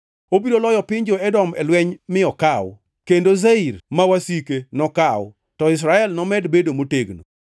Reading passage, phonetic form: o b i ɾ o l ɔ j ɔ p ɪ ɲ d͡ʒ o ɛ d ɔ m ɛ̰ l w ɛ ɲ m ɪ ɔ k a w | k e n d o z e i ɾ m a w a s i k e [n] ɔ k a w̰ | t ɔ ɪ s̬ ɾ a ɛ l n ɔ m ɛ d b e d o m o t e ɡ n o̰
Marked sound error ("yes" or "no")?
no